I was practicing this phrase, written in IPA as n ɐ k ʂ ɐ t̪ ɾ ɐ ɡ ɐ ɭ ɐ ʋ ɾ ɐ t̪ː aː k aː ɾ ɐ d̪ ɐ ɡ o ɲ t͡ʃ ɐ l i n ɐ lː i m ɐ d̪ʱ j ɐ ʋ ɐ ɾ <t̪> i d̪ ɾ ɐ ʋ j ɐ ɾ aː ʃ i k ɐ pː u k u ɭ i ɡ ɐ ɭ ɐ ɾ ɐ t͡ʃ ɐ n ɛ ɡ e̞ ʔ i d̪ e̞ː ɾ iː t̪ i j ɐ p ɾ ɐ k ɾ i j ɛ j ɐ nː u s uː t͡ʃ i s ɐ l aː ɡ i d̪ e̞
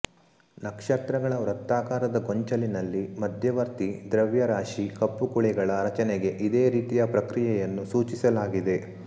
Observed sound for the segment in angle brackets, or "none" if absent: t̪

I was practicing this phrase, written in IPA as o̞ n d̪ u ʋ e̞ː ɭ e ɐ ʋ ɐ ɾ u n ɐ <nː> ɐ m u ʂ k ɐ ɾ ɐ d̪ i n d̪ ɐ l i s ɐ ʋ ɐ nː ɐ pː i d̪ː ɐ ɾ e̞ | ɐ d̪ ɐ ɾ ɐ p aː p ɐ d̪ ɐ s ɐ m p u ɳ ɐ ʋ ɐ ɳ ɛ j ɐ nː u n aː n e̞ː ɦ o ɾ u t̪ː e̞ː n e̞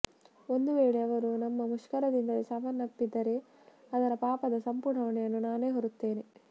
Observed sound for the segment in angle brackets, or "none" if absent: mː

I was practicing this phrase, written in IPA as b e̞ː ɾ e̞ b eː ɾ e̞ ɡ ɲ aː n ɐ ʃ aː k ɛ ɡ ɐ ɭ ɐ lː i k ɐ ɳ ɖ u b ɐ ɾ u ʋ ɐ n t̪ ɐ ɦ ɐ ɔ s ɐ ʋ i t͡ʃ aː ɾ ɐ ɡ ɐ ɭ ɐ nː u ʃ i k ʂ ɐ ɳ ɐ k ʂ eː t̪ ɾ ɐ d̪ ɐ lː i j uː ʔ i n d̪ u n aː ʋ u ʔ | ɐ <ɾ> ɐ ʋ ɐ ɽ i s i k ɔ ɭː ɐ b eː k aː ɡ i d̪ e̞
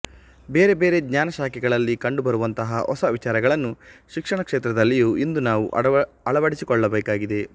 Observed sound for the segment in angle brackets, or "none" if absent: ɭ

